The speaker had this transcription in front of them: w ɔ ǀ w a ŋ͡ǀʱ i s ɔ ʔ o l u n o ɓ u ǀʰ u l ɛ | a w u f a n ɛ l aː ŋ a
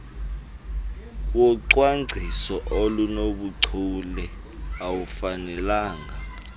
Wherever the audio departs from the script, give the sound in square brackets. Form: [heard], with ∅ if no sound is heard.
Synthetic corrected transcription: w ɔ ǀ w a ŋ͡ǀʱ i s ɔ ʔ o l u n o ɓ u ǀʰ u l ɛ | a w u f a n ɛ l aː ŋ a